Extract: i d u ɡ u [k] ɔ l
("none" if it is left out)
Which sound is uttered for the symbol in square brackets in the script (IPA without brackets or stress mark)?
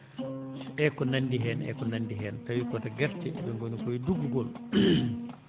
ɡ